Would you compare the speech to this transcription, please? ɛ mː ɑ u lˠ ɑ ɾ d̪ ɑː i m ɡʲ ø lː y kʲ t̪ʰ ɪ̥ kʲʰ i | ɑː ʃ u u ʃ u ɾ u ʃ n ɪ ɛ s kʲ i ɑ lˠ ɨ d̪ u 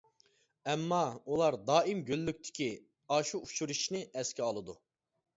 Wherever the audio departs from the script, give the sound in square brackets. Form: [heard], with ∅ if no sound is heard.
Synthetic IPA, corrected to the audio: ɛ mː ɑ u lˠ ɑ ɾ d̪ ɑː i m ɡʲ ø lː y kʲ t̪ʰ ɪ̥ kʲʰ i | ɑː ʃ u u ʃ u ɾ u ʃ n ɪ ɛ s kʲ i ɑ lˠ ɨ d̪ u